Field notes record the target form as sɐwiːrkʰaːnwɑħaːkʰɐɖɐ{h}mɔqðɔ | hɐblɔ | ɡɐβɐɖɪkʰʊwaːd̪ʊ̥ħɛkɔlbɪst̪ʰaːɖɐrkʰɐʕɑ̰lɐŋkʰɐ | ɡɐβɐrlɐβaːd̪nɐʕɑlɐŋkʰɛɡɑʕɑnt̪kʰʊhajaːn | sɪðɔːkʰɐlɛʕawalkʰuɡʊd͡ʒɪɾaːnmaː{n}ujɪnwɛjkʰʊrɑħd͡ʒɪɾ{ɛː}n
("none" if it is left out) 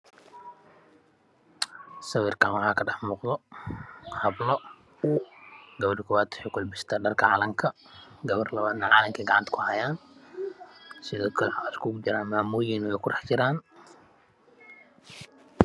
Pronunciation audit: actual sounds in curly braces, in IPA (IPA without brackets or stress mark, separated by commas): ħ, m, aː